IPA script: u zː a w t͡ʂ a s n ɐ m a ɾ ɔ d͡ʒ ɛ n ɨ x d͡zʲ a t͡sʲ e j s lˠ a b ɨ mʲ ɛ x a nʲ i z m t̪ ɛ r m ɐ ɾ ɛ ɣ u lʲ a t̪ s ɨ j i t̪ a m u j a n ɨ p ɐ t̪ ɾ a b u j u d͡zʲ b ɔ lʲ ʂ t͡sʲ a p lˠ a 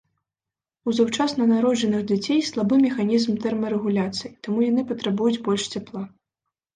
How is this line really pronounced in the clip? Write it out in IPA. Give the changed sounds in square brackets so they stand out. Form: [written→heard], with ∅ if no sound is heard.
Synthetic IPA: u [zː→z] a w t͡ʂ a s n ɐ [m→n] a ɾ ɔ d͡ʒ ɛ n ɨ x d͡zʲ a t͡sʲ e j s lˠ a b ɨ mʲ ɛ x a nʲ i z m t̪ ɛ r m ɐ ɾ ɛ ɣ u lʲ a t̪ s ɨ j i t̪ a m u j a n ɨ p ɐ t̪ ɾ a b u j u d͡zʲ b ɔ lʲ ʂ t͡sʲ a p lˠ a